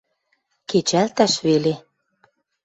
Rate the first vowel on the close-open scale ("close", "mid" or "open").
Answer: mid